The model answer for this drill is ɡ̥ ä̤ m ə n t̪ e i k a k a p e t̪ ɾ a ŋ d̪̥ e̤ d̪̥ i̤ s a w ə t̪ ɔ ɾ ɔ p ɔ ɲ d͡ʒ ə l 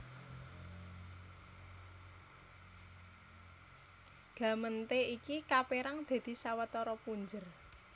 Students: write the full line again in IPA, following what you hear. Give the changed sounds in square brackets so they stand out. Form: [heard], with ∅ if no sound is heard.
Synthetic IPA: ɡ̥ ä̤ m ə n t̪ e i k [i] k a p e [∅] ɾ a ŋ d̪̥ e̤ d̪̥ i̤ s a w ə t̪ ɔ ɾ ɔ p [u] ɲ d͡ʒ ə [r]